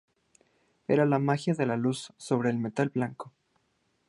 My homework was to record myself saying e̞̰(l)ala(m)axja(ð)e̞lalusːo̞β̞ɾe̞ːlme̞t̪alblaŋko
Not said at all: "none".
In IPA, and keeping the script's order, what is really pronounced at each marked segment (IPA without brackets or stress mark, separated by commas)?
ɾ, m, ð